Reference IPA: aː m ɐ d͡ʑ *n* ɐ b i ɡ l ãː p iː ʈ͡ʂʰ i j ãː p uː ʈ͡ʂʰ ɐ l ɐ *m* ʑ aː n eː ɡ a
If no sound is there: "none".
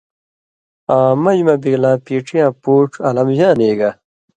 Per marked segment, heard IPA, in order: m, m

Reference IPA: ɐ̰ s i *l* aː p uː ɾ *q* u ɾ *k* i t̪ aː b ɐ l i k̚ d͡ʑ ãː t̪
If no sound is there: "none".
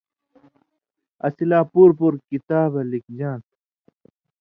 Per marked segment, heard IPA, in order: l, p, k

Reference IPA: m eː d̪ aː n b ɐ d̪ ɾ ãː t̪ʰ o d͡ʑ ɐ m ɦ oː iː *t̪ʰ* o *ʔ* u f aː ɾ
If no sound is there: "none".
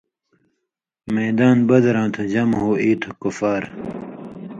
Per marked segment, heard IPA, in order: t̪ʰ, k

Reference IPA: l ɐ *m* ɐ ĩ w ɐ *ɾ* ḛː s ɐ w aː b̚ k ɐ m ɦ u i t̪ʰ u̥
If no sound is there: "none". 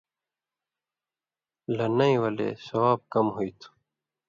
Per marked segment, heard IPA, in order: n, l

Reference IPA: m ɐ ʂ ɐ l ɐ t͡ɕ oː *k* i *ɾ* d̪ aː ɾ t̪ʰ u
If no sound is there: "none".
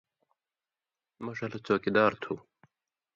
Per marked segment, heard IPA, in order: k, none

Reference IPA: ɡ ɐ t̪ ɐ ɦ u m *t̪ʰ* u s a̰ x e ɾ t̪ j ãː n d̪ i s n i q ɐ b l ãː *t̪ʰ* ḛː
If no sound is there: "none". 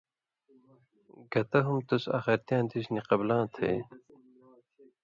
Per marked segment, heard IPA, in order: t̪, t̪ʰ

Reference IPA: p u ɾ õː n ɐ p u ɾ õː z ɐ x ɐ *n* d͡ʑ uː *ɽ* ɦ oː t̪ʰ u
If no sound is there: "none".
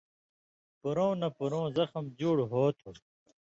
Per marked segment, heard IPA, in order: m, ɽ

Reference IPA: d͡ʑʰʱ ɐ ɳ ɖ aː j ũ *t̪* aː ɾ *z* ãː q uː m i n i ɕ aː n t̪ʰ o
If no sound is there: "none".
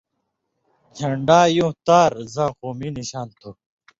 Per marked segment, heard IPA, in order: t̪, z

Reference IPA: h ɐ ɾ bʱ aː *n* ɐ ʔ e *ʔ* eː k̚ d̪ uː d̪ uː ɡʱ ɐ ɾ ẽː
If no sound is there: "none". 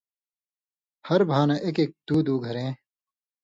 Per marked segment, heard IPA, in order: n, k

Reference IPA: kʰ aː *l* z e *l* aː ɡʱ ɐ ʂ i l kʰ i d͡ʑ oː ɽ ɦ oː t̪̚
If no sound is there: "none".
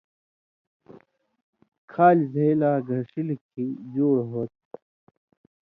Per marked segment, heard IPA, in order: l, l

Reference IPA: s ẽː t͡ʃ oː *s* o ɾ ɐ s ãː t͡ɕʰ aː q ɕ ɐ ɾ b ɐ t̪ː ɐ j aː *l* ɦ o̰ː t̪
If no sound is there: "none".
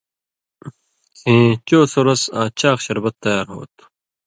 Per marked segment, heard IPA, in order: s, ɾ

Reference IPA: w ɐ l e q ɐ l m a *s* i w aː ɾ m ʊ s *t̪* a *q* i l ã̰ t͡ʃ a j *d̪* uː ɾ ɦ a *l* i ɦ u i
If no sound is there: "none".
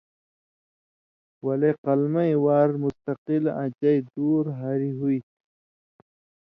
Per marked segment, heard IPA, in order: none, t̪, q, d̪, ɾ

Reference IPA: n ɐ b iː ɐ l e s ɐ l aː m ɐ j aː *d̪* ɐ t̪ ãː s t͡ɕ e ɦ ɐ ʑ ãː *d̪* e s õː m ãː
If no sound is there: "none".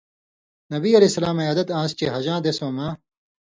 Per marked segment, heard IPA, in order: d̪, d̪

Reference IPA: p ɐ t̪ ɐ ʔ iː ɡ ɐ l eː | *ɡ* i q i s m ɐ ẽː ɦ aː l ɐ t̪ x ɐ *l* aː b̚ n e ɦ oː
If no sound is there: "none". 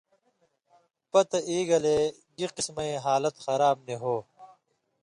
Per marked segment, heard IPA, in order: ɡ, ɾ

